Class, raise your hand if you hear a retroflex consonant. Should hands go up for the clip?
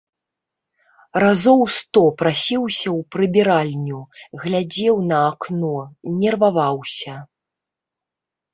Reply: no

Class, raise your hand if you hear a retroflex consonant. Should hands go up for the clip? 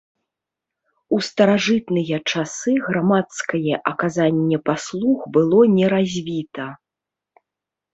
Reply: yes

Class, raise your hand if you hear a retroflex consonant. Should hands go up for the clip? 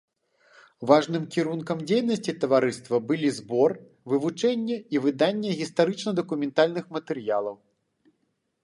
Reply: yes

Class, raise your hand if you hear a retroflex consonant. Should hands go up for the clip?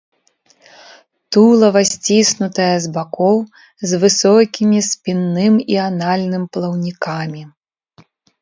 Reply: no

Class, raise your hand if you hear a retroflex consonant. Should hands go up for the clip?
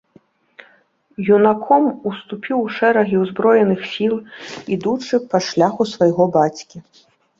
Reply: yes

